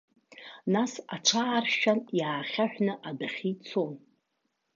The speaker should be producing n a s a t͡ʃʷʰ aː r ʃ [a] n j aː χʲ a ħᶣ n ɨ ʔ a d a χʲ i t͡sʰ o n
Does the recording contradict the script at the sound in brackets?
no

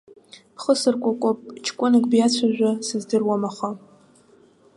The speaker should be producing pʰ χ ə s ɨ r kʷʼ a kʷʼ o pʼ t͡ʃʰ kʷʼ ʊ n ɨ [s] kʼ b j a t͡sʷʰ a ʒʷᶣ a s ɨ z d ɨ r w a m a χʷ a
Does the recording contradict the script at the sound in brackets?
yes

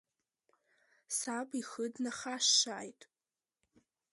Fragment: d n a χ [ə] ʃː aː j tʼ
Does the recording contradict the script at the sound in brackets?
yes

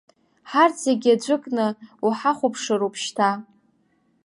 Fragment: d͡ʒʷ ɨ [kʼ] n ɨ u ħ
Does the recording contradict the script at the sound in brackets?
no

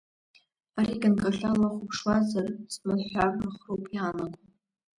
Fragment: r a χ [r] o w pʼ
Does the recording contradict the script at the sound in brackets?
no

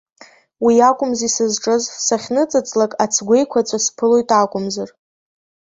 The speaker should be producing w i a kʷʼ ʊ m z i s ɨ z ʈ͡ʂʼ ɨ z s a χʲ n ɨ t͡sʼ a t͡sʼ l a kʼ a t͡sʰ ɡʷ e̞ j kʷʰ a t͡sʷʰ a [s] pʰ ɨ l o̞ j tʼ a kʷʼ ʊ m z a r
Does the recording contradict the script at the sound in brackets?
no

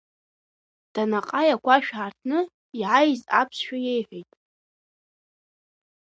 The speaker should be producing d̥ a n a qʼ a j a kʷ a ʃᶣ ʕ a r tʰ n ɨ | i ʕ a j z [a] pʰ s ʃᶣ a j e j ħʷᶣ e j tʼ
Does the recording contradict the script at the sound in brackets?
no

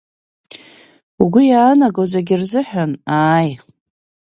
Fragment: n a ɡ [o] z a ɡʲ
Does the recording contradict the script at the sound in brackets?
no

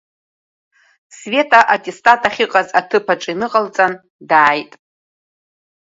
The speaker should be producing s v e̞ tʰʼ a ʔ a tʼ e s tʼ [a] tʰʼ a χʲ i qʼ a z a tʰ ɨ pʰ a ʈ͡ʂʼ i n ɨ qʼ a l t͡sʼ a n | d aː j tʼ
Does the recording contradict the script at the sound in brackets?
no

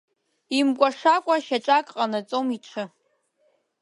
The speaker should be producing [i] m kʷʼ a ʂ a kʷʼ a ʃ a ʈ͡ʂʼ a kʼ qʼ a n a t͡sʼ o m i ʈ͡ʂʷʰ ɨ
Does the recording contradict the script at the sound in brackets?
no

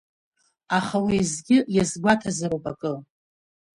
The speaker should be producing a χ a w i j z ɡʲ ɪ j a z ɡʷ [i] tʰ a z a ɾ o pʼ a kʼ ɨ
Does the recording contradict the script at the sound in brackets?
yes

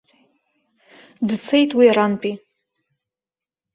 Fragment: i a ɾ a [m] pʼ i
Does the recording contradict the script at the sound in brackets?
yes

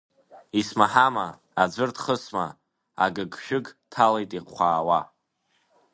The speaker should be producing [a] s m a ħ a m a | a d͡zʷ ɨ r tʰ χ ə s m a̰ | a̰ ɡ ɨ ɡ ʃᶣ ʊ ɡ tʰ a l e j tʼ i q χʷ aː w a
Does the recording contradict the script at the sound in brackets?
yes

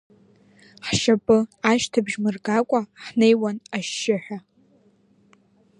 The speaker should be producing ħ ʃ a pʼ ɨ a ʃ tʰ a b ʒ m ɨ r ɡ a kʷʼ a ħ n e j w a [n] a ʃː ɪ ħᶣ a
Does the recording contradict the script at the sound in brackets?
no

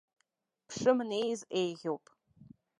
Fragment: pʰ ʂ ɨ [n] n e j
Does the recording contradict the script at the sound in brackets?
yes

